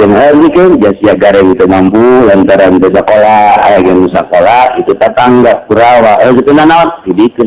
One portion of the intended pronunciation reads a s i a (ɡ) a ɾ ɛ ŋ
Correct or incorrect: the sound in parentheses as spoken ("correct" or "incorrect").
correct